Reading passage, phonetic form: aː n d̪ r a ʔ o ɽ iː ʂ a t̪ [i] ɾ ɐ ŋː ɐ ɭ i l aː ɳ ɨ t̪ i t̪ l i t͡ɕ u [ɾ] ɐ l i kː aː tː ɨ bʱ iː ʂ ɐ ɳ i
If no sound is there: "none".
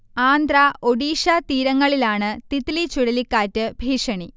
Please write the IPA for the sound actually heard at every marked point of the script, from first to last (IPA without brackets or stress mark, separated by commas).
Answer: iː, ɽ